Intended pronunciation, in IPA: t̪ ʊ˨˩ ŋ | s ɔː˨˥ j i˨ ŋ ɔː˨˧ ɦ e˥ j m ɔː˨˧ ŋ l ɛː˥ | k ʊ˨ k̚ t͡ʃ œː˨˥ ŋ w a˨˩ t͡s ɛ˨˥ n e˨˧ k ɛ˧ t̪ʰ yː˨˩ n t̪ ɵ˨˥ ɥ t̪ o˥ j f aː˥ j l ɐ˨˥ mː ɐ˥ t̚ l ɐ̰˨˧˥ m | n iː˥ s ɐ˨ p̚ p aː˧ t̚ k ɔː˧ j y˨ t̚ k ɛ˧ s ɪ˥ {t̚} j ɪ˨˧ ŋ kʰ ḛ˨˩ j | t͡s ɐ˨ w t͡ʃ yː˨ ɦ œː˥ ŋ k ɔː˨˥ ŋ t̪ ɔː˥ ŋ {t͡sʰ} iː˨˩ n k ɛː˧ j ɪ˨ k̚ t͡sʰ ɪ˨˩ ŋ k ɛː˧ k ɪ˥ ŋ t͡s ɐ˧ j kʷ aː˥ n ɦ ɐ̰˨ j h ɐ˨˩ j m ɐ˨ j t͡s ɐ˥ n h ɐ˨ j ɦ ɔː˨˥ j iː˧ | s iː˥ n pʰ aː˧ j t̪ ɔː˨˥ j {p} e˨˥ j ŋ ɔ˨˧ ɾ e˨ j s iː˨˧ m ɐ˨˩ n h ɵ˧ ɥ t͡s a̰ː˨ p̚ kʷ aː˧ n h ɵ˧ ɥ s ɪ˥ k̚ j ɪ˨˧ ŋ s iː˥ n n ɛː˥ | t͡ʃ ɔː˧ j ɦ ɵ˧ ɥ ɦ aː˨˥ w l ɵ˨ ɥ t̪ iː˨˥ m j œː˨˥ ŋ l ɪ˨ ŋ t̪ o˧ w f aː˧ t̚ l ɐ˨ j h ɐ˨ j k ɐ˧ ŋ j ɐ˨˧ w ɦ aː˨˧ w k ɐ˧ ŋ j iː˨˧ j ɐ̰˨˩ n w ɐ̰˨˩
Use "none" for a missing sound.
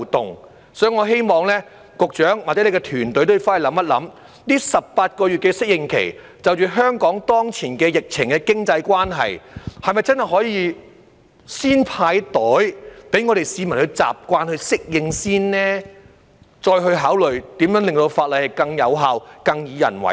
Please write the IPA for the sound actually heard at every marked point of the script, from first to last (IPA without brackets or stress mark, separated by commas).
k̚, t͡sʰ, p